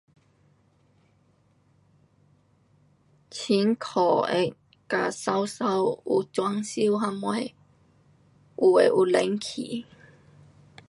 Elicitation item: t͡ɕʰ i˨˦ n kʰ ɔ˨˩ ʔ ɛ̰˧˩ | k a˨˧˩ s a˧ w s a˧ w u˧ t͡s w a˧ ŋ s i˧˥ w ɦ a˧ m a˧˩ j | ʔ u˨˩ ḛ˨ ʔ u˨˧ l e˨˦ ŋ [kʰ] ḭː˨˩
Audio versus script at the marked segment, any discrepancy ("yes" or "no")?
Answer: no